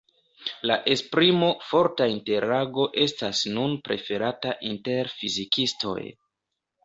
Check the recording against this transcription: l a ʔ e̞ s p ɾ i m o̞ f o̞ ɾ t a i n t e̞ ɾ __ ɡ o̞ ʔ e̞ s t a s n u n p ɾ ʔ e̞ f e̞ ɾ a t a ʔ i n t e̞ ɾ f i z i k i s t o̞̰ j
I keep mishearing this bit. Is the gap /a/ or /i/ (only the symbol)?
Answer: a